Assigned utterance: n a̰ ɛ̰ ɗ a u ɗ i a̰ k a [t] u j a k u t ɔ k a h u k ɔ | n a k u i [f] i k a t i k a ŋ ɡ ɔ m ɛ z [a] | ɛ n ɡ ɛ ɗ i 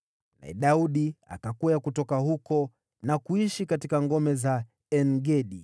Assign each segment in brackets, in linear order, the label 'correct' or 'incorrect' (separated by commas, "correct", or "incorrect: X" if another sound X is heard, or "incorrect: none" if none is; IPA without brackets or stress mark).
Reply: incorrect: k, incorrect: ʃ, correct